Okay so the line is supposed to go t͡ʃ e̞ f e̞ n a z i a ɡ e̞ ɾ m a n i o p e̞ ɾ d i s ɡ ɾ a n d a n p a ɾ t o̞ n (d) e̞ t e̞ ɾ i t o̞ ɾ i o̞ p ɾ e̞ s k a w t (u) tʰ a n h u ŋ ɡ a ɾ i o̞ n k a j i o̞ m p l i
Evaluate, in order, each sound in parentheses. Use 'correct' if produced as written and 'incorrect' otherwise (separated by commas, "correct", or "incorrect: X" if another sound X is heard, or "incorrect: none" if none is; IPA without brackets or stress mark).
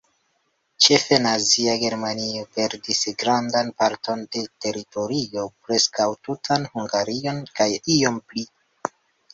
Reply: correct, correct